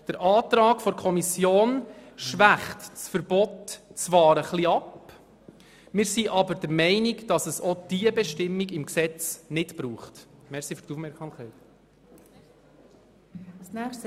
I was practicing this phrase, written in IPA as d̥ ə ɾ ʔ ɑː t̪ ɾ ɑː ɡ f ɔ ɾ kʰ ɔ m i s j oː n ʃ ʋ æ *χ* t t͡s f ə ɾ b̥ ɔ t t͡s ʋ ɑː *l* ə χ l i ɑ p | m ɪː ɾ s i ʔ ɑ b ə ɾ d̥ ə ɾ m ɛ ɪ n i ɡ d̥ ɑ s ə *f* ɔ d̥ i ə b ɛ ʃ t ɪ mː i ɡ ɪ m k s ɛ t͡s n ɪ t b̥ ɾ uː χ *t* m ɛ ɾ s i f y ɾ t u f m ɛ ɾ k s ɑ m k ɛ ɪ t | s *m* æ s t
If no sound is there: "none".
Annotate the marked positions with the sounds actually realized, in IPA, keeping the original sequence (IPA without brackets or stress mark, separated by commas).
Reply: χ, ɾ, s, t, n